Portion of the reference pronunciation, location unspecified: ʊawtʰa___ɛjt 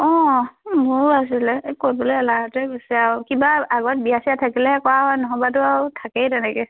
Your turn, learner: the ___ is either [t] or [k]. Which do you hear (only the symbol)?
k